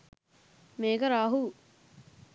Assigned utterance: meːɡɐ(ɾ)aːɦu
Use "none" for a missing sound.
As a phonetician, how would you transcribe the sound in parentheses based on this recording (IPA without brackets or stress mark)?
ɾ